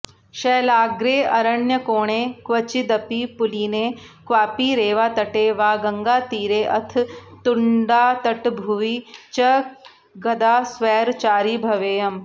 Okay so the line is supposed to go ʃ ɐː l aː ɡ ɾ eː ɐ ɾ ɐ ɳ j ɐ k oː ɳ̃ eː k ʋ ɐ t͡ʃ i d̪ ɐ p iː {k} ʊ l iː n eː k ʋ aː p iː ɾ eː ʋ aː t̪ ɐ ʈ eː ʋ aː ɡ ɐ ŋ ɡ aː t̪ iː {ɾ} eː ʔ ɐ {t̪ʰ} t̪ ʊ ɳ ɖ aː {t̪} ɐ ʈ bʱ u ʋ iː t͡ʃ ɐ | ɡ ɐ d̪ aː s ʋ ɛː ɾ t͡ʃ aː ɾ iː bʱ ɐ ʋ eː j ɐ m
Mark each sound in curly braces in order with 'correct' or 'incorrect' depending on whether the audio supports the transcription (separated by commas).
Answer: incorrect, correct, correct, correct